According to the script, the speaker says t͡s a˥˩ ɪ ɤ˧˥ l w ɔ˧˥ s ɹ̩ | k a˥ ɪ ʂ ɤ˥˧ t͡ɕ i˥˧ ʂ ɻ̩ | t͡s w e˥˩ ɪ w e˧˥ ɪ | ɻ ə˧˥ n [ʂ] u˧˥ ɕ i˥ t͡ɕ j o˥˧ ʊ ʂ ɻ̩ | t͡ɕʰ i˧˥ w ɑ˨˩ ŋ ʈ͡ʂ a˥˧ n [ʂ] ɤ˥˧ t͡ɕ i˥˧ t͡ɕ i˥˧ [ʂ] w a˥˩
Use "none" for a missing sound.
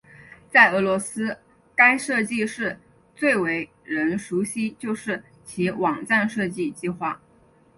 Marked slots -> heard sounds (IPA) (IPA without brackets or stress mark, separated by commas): ʂ, ʂ, x